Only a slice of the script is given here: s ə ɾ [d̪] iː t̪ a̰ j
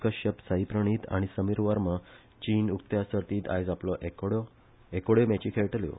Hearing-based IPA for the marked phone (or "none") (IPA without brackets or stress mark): t̪